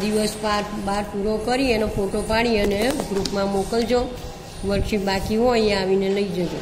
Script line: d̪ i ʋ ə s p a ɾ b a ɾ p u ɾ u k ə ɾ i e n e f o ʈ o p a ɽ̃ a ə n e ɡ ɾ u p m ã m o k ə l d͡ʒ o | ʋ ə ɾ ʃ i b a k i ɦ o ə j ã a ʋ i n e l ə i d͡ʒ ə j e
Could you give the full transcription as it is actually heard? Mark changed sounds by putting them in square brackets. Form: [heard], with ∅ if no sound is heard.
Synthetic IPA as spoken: d̪ i ʋ ə s p a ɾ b a ɾ p u ɾ [o] k ə ɾ i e n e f o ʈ o p a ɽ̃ [i] ə n e ɡ ɾ u p m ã m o k ə l d͡ʒ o | ʋ ə ɾ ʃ i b a k i ɦ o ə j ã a ʋ i n e l ə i d͡ʒ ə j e